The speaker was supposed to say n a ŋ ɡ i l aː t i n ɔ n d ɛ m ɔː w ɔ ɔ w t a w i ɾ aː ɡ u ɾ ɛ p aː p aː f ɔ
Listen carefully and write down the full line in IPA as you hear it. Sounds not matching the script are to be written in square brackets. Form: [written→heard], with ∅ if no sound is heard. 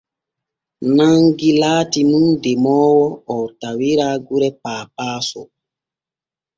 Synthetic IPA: n a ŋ ɡ i l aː t i n [ɔ→u] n d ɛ m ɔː w ɔ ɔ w t a w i ɾ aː ɡ u ɾ ɛ p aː p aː [f→s] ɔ